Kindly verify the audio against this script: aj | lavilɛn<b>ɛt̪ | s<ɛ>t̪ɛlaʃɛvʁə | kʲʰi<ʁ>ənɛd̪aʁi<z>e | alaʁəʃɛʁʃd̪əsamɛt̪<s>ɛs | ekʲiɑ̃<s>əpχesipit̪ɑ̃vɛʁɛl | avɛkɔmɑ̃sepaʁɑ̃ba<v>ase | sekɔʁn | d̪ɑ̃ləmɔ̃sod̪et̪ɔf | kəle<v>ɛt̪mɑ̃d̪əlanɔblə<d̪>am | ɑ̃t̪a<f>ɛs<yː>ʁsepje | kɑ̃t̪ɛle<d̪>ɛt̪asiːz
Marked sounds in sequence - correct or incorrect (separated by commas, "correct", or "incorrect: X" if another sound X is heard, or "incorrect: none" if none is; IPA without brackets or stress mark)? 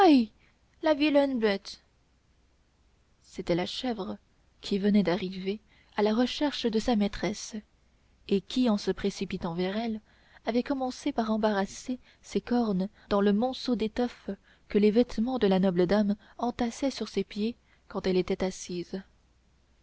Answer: correct, incorrect: e, incorrect: v, incorrect: v, incorrect: χ, correct, incorrect: ʁ, correct, correct, incorrect: s, incorrect: y, incorrect: t̪